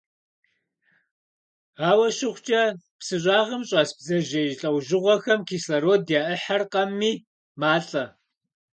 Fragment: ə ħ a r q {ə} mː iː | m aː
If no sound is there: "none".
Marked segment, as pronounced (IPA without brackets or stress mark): ɐ